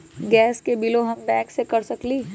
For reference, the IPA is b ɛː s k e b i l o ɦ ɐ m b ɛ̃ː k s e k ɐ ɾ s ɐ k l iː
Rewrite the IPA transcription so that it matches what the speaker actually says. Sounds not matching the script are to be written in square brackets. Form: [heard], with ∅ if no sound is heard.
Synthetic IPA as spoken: [ɡ] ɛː s k e b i l o ɦ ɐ m b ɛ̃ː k s e k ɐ ɾ s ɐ k l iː